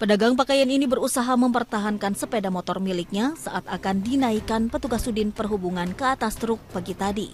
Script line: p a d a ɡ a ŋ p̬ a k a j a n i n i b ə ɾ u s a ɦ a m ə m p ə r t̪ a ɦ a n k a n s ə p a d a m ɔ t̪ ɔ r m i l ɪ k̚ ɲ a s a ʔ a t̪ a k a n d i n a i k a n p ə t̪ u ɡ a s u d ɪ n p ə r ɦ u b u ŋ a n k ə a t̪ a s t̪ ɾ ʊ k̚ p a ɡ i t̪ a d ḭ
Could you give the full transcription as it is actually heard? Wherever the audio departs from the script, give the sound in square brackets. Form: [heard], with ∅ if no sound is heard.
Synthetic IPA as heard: p [ə] d a ɡ a ŋ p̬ a k a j a n i n i b ə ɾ u s a ɦ a m ə m p ə r t̪ a ɦ a n k a n s ə p [e] d a m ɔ t̪ ɔ r m i l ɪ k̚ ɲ a s a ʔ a t̪ a k a n d i n a i k a n p ə t̪ u ɡ a s u d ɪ n p ə r ɦ u b u ŋ a n k ə a t̪ a s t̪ ɾ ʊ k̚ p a ɡ i t̪ a d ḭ